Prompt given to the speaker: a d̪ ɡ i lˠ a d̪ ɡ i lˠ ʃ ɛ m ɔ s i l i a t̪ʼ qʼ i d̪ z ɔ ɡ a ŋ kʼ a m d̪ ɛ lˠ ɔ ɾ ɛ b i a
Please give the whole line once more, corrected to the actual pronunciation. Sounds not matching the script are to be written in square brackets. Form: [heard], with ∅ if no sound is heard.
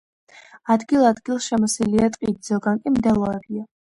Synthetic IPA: a d̪ ɡ i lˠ a d̪ ɡ i lˠ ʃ ɛ m ɔ s i l i a t̪ʼ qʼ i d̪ z ɔ ɡ a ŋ kʼ [i] m d̪ ɛ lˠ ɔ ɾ ɛ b i a